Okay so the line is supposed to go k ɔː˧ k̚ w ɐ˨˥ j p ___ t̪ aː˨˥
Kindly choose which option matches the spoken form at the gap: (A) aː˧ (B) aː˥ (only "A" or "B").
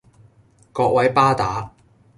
B